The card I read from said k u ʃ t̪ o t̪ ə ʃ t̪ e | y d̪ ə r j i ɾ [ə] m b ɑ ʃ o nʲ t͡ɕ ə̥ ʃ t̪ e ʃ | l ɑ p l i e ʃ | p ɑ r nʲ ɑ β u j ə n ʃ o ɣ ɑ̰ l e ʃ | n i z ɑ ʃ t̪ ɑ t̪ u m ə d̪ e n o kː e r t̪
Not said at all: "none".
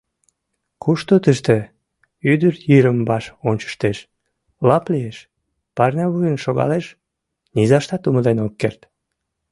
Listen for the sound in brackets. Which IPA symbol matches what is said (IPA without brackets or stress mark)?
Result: ə